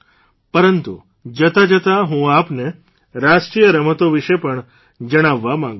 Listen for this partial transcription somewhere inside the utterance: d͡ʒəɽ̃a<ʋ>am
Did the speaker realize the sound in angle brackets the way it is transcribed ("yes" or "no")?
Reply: no